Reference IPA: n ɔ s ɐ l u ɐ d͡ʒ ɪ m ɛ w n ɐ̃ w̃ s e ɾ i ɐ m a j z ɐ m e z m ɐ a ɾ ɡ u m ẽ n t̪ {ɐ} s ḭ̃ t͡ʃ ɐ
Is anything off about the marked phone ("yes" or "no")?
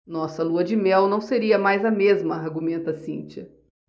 no